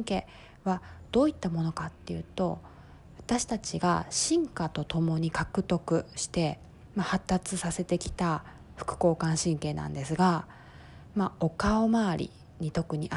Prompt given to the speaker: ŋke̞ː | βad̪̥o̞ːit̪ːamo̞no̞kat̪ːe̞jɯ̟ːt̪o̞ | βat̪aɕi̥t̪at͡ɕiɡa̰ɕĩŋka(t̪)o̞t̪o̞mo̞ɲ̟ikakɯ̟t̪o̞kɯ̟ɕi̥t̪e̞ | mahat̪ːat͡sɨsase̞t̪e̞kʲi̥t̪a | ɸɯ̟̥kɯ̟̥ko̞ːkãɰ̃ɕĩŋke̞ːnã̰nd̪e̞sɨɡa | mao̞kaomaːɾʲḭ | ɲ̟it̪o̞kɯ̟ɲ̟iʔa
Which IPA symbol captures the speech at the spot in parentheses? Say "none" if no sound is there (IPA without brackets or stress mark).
t̪